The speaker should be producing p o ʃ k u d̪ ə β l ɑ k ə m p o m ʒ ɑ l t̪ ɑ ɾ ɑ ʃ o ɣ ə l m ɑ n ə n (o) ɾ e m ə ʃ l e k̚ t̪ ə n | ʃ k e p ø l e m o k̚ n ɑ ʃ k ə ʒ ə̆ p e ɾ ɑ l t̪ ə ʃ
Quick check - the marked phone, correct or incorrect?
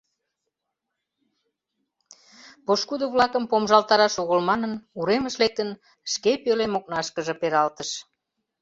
incorrect